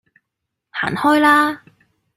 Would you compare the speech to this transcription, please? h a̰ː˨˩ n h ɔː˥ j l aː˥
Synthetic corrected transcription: h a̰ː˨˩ n h ɔː˥ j l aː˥